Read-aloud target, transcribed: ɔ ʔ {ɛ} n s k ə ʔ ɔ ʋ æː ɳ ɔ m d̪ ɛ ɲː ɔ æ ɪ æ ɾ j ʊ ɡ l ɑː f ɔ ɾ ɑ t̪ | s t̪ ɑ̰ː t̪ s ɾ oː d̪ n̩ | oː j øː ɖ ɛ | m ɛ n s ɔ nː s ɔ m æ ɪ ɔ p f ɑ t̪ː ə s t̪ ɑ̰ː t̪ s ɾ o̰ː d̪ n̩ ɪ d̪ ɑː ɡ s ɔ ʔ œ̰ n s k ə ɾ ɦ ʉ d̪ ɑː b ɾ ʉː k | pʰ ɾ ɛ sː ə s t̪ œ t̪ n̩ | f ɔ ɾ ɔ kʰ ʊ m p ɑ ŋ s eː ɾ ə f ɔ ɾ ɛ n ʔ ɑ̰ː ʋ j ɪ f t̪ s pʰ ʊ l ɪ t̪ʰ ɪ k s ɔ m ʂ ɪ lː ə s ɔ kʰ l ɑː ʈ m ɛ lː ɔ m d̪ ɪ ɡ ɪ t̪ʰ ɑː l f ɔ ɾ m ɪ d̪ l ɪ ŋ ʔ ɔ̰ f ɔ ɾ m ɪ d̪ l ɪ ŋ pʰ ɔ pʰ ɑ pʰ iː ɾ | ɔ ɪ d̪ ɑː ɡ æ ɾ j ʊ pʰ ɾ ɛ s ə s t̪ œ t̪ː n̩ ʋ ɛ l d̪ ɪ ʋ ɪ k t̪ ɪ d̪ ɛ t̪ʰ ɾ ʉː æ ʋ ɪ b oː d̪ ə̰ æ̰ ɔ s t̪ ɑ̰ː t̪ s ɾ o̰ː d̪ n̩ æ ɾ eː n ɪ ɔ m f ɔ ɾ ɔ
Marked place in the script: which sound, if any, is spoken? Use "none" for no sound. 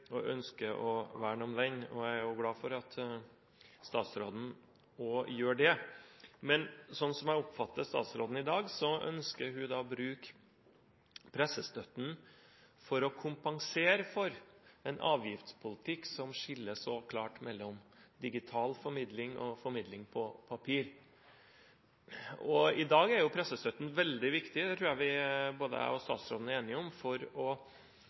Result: œ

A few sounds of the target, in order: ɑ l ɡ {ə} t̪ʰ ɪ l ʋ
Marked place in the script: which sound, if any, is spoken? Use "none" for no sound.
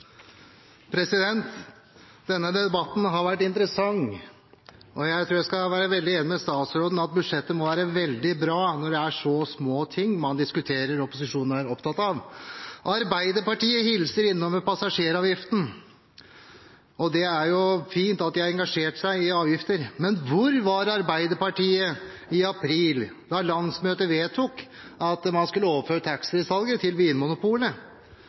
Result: ə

